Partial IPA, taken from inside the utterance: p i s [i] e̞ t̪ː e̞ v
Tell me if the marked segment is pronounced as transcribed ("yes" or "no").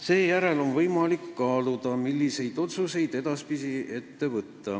yes